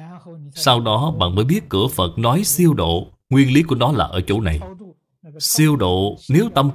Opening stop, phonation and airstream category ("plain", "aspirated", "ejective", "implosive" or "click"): implosive